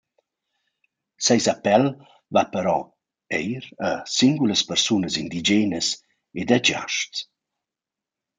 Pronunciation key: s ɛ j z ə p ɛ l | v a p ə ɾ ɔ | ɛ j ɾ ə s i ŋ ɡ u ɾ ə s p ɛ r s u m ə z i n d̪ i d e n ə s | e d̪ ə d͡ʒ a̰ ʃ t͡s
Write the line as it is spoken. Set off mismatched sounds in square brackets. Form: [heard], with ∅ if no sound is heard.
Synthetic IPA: s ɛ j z [a] p ɛ l | v a p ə ɾ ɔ | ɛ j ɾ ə s i ŋ ɡ u [l] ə s p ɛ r s u [n] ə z i n d̪ i [d͡ʒ] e n ə s | e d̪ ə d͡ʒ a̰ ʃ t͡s